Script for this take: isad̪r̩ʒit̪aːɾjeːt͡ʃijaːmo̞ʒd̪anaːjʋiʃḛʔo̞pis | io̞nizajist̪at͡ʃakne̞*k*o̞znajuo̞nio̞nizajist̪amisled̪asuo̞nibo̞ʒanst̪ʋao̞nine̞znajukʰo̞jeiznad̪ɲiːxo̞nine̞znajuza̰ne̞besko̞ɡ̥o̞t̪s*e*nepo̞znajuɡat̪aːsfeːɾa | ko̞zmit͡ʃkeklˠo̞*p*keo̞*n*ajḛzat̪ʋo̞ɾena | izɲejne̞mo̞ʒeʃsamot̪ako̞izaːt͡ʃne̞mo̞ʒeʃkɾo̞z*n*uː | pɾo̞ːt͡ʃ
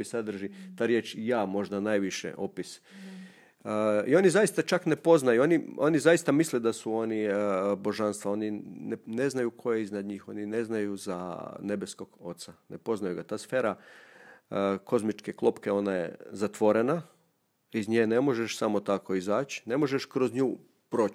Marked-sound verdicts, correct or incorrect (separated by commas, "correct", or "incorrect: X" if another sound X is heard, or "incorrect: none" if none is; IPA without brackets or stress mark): incorrect: p, incorrect: a, correct, correct, incorrect: ɲ